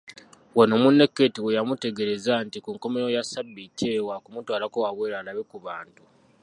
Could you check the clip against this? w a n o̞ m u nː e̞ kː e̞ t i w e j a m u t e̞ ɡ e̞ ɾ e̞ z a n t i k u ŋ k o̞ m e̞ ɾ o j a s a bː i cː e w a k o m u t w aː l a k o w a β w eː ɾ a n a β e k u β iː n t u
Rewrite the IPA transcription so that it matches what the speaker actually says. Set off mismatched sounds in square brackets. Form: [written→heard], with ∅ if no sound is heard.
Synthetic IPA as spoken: w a n o̞ m u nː e̞ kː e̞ t i w e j a m u t e̞ ɡ e̞ ɾ e̞ z a n t i k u ŋ k o̞ m e̞ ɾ o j a s a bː i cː e w a k [o→u] m u t w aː l a k o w a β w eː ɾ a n a β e k u β [iː→aː] n t u